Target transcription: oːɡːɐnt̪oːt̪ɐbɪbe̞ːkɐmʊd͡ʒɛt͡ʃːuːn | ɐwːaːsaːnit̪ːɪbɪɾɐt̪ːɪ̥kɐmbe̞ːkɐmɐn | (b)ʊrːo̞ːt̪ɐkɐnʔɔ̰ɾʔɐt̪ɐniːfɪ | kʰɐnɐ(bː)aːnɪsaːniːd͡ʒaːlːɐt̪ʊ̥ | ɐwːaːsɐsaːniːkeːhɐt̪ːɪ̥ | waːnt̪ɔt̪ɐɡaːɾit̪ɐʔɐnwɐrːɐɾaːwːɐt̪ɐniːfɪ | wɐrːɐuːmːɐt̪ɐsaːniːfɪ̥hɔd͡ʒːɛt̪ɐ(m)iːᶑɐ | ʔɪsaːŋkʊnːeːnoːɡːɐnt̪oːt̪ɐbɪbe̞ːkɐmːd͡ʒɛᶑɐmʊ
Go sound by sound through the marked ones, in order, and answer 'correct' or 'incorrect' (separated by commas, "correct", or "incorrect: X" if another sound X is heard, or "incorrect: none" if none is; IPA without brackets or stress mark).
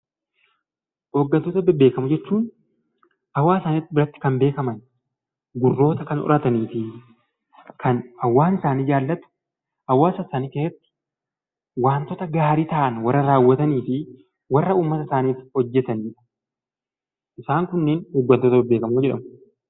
incorrect: ɡ, incorrect: wː, incorrect: n